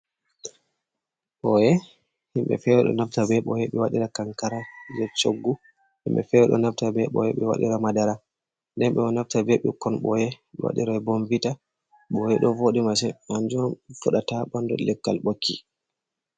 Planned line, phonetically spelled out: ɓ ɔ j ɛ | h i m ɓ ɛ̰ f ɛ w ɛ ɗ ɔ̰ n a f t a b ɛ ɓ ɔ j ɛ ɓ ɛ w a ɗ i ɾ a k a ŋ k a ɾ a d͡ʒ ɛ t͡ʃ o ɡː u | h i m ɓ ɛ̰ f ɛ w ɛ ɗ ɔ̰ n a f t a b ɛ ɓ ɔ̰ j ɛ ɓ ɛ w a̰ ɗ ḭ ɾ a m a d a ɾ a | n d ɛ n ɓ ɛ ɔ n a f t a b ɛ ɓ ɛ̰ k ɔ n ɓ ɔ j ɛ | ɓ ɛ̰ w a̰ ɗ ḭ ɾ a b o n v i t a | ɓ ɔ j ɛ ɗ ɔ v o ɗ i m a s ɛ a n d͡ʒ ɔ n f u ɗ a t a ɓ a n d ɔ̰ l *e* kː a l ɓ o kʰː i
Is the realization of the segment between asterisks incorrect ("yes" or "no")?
yes